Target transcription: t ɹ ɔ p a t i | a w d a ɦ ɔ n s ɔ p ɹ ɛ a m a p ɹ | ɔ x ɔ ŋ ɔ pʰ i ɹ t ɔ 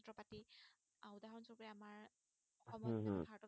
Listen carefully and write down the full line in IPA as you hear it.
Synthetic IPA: t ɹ ɔ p a t i | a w d a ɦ ɔ n s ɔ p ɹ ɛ a m a ɹ | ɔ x ɔ m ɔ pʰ a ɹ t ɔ